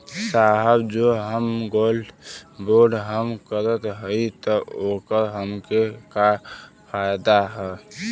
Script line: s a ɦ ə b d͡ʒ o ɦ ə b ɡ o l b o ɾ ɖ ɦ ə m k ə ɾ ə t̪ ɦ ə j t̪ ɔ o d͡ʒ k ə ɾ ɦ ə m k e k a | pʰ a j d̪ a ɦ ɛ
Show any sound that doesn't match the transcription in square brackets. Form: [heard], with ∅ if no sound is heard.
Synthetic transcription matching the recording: s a ɦ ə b d͡ʒ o ɦ ə [m] ɡ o l b o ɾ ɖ ɦ ə m k ə ɾ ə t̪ ɦ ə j t̪ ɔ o [∅] k ə ɾ ɦ ə m k e k a | pʰ a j d̪ a ɦ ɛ